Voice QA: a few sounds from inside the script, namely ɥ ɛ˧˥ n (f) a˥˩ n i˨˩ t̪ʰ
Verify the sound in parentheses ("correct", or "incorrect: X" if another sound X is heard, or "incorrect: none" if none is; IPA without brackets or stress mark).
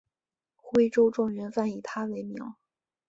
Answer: correct